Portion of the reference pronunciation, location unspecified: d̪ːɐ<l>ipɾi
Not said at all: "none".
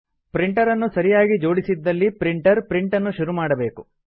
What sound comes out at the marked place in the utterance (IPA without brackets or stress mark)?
lː